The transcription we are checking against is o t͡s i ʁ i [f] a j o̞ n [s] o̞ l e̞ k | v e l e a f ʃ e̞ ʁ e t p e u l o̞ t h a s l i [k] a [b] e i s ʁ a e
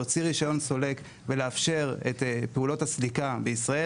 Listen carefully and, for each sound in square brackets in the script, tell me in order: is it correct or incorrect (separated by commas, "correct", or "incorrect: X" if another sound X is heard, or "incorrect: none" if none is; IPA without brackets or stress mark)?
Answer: incorrect: ʃ, correct, correct, correct